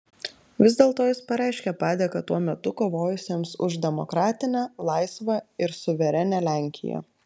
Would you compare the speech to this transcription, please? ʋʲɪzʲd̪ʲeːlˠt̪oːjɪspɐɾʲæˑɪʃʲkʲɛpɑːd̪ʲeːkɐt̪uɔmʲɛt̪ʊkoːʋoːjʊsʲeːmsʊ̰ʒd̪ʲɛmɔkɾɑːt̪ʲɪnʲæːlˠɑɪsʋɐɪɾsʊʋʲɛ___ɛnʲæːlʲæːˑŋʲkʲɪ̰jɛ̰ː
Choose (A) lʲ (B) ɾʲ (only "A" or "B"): B